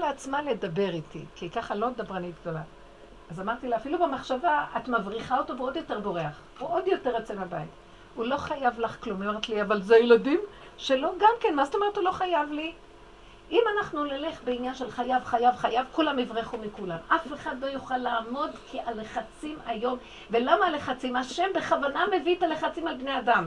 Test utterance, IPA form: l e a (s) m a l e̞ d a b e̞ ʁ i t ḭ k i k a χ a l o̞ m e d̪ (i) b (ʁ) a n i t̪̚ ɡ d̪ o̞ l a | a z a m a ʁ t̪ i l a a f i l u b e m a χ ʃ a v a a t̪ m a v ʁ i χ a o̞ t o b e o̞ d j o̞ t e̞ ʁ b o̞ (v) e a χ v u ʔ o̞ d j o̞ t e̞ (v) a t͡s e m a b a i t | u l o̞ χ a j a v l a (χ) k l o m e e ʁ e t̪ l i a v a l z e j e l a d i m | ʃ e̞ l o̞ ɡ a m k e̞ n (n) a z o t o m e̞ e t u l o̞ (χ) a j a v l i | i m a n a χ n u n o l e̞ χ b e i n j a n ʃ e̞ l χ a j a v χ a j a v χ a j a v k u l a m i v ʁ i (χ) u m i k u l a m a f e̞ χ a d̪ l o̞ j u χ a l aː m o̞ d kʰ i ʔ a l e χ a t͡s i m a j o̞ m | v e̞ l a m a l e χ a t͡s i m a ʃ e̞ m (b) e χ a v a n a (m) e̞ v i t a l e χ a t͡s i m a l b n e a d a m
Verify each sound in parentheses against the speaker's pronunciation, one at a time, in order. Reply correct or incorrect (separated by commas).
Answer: incorrect, incorrect, correct, incorrect, incorrect, correct, incorrect, correct, correct, correct, correct